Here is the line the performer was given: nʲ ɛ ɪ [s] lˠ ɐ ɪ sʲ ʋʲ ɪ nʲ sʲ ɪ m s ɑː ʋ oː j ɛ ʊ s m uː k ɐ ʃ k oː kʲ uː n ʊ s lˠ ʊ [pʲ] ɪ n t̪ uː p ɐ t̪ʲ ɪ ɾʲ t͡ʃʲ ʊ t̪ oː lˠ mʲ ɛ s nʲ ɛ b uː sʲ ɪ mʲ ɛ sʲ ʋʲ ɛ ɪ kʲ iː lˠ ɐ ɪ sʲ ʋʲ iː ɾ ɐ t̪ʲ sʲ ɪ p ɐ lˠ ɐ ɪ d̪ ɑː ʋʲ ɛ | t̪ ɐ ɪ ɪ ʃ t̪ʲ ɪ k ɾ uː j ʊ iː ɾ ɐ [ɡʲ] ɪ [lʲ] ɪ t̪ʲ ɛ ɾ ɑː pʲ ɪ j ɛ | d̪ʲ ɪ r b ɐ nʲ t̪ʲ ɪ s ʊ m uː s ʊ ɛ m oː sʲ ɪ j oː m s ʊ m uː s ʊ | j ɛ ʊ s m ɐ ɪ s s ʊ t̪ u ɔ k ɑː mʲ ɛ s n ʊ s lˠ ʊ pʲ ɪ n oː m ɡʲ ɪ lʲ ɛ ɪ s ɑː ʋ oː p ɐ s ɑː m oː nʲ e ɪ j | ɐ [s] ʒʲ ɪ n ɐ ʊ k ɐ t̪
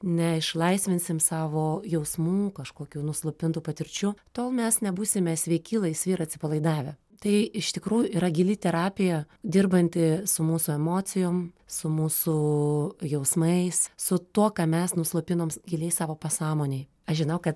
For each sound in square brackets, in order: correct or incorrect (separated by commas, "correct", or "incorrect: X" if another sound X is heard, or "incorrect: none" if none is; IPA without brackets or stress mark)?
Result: incorrect: ʃ, correct, correct, correct, incorrect: ʃ